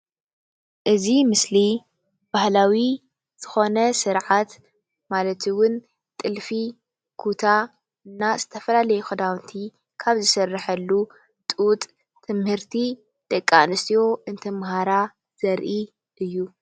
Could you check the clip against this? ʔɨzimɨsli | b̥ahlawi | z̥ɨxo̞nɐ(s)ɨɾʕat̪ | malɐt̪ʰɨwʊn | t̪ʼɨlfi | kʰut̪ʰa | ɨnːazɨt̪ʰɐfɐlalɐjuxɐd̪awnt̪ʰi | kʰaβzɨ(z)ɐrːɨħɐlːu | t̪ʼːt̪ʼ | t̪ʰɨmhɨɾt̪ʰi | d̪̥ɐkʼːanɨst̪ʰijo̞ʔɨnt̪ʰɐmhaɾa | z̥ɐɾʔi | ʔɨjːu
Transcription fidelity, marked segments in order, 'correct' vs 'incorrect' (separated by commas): correct, incorrect